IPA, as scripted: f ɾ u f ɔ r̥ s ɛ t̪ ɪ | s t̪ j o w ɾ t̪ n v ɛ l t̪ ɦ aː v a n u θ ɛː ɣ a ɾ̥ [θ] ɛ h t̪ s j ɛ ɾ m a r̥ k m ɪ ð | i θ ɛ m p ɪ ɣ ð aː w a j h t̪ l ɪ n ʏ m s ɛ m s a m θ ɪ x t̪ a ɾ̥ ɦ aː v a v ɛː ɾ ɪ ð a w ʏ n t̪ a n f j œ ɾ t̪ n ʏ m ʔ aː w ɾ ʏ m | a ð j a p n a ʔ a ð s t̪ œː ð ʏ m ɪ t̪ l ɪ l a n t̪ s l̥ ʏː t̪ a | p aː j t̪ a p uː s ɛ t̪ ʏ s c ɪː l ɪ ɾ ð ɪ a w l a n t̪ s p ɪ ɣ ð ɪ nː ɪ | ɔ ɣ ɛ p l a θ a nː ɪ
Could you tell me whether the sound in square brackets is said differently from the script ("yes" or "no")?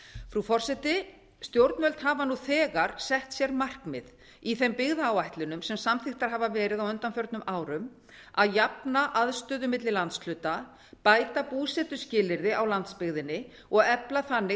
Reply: yes